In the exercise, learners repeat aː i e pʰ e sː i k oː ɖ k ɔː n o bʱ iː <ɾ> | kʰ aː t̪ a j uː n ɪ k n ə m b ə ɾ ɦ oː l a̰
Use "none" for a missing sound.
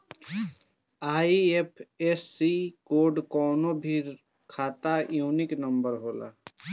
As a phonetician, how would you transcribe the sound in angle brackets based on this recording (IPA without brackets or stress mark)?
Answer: ɾ